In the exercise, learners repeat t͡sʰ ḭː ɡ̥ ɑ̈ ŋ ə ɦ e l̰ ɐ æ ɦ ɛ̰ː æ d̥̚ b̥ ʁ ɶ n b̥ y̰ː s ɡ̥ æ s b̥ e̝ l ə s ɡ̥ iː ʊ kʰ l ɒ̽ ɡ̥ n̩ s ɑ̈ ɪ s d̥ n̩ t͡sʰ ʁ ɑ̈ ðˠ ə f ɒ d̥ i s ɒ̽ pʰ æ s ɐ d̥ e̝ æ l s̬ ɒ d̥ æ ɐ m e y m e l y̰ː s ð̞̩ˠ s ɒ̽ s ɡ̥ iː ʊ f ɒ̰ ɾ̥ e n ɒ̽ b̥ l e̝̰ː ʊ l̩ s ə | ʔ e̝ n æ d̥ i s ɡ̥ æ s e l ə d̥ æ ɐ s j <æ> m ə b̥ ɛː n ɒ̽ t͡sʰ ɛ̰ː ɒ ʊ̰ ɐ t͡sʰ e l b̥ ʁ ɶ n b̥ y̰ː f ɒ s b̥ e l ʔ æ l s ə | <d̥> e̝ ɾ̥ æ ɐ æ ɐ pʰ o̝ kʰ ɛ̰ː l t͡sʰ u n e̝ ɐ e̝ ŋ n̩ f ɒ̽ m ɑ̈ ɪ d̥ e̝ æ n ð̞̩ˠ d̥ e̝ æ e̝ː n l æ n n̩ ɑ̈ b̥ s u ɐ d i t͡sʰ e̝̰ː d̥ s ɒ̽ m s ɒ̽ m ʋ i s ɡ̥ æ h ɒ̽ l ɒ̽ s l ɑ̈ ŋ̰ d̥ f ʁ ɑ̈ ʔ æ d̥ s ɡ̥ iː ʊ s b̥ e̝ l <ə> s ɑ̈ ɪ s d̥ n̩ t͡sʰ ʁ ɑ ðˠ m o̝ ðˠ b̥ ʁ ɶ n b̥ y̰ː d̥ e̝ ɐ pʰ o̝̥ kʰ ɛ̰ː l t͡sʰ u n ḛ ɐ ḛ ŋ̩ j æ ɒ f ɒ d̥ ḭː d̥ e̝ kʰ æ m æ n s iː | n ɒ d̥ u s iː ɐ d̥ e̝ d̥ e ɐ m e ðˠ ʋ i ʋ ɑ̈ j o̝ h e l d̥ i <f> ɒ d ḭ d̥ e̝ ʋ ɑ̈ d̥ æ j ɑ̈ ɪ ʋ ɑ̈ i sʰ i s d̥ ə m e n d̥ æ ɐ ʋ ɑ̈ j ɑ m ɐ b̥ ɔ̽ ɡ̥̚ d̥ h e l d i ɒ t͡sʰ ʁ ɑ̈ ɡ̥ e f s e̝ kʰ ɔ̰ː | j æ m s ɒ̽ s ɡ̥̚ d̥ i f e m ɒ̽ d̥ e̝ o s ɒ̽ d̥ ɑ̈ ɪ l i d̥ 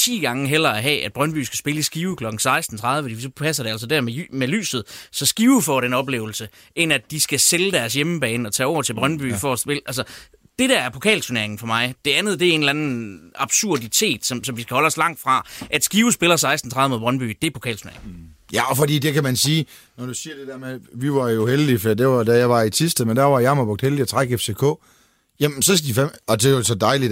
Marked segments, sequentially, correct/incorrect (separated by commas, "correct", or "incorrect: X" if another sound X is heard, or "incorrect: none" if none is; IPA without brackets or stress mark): incorrect: e, correct, incorrect: ɐ, correct